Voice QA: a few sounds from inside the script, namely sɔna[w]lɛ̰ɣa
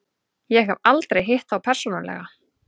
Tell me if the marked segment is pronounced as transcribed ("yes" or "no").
no